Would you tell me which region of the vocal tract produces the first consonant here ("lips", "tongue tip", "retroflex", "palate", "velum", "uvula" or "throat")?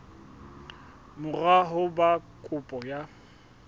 lips